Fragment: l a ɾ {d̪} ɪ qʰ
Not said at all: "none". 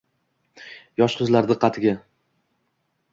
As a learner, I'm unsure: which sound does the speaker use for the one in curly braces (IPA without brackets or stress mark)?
d̪